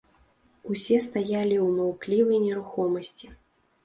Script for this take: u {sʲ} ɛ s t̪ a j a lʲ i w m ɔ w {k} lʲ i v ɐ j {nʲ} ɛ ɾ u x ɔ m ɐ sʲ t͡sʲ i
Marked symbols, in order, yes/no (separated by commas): yes, yes, yes